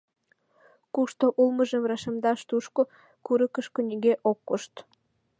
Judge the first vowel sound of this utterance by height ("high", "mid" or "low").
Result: high